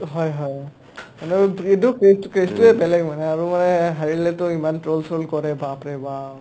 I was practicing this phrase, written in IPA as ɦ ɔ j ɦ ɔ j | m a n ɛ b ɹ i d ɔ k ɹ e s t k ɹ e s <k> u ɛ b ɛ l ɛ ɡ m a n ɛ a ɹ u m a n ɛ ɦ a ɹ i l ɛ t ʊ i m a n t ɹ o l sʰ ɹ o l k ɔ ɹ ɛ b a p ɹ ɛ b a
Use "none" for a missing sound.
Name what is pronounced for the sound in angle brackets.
t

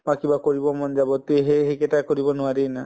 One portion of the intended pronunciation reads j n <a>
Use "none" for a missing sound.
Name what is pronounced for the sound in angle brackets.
a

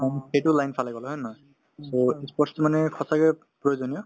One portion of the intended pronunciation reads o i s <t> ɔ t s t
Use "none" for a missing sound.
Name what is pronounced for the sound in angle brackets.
p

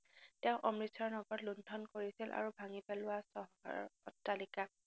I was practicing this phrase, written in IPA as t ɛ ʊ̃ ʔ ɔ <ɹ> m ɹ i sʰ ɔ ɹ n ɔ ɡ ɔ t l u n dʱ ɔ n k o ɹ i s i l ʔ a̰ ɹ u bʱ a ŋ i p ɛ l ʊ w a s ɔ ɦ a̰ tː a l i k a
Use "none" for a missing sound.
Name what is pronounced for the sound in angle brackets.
none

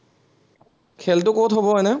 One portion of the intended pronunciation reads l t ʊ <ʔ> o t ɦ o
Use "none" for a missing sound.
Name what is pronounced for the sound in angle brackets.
k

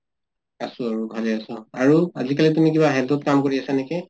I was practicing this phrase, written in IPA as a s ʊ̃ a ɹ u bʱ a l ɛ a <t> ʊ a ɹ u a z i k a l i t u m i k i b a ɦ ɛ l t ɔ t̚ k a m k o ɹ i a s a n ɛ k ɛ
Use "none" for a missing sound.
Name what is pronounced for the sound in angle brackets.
s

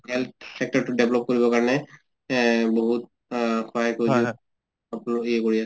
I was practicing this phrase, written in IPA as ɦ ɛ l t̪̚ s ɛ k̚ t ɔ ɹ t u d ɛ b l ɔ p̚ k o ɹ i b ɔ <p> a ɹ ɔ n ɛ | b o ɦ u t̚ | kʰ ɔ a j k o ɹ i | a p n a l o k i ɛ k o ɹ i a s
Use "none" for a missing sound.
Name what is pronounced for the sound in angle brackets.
k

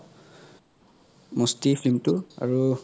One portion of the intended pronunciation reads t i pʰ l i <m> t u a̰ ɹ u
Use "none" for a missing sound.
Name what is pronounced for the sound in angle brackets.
m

